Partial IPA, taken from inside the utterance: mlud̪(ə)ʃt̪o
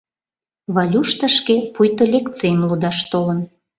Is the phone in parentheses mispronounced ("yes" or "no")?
yes